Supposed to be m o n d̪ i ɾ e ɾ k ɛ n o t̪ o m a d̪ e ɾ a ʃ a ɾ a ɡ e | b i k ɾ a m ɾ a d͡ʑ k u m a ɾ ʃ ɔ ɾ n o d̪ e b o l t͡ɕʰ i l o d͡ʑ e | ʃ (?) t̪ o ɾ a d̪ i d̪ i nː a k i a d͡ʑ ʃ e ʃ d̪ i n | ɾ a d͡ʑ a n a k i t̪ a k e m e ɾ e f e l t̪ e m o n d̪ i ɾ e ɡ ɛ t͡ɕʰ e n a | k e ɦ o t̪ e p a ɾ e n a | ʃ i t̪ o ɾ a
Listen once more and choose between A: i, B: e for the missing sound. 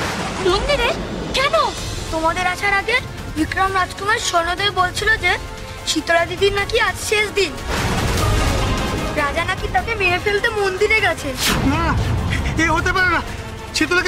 A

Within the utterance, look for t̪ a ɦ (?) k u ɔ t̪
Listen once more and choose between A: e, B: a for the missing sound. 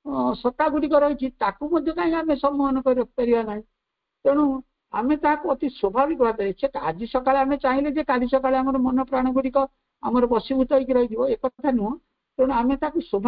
B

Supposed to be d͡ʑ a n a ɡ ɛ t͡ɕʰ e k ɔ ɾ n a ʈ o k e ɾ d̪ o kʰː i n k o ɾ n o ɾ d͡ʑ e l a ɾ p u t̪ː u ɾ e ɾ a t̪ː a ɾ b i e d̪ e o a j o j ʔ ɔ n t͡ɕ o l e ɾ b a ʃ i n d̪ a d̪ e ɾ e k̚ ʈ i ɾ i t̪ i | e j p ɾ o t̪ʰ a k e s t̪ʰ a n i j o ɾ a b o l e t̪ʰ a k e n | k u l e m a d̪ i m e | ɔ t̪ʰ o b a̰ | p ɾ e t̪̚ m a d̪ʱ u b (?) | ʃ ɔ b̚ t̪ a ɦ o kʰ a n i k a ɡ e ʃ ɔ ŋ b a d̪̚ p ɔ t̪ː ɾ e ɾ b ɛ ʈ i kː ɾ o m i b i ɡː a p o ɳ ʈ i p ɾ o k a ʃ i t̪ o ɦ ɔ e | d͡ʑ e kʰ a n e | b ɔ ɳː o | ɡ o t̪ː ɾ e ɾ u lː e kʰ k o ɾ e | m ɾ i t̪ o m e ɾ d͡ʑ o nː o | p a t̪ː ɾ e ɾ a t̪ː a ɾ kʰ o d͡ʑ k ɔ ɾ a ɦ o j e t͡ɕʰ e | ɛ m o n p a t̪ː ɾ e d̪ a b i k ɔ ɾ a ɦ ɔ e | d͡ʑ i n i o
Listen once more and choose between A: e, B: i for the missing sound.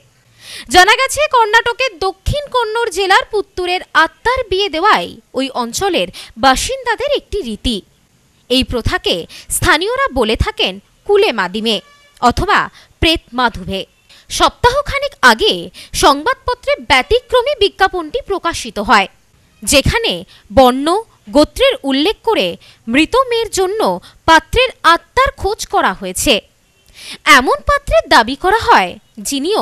A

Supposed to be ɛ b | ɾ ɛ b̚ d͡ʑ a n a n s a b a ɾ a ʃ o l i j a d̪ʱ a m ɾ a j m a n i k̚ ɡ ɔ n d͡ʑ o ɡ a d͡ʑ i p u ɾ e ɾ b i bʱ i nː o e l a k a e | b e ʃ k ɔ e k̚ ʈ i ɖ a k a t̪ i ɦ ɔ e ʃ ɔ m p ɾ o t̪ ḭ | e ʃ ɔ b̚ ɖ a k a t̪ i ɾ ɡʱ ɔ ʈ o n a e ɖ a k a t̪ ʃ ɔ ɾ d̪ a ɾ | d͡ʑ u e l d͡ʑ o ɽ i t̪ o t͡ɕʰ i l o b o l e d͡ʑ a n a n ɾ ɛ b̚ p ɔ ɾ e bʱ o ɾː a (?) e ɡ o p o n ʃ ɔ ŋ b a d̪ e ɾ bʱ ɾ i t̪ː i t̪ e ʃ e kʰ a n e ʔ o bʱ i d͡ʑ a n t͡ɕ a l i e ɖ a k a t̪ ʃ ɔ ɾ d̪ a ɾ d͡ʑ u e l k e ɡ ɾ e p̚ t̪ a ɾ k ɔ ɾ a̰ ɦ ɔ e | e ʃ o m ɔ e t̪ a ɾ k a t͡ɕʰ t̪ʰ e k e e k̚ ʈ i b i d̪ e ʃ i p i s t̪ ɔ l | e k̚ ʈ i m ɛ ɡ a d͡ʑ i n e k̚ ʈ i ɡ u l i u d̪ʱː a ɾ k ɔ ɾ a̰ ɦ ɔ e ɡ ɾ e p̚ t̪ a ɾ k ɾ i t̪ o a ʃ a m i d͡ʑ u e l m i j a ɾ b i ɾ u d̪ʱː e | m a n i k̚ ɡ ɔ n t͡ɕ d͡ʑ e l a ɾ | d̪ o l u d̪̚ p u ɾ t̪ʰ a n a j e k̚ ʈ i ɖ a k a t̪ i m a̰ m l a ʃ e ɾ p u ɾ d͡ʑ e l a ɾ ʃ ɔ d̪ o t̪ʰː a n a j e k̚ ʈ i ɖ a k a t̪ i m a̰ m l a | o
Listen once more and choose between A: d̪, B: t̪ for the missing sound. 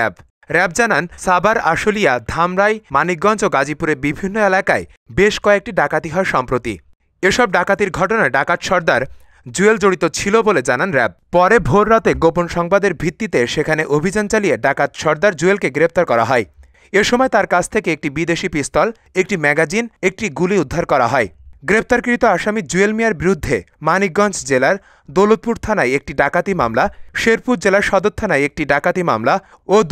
B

